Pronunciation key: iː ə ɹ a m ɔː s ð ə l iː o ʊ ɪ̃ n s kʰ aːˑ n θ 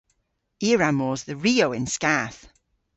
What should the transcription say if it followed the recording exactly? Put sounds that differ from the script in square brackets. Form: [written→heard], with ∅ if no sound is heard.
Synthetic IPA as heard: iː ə ɹ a m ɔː [s→z] ð ə [l→ɹ] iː o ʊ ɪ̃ n s [kʰ→k] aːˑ [n→∅] θ